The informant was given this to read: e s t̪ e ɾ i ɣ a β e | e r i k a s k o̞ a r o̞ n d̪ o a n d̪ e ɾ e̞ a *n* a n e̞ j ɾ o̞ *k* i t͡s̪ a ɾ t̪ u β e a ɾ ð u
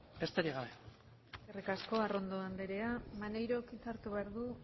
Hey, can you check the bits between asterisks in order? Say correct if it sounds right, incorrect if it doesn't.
incorrect, correct

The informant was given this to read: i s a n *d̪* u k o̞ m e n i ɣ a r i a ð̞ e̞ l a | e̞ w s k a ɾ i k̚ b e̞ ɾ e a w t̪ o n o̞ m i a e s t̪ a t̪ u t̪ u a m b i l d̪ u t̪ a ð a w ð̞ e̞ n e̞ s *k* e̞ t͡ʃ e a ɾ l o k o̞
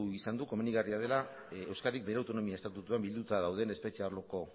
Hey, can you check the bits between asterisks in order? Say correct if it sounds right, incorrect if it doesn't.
correct, incorrect

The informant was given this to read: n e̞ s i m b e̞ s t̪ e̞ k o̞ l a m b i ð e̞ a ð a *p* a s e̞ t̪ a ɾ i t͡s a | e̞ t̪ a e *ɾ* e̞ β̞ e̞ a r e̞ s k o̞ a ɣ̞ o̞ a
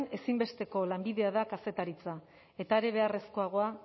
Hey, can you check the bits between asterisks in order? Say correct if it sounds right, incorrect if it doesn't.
incorrect, correct

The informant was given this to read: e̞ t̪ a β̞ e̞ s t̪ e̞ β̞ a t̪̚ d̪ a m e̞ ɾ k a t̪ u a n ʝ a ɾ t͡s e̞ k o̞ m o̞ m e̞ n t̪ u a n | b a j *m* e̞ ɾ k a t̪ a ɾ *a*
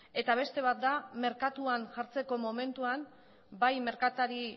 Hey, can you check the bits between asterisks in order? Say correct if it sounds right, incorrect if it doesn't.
correct, incorrect

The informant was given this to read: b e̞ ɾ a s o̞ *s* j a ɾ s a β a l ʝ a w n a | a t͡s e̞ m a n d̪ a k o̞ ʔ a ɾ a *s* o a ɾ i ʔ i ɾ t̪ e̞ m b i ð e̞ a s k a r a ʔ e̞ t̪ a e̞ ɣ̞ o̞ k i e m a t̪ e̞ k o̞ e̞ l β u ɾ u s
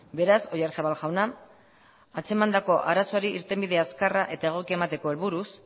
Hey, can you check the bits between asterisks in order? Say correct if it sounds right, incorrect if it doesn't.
incorrect, correct

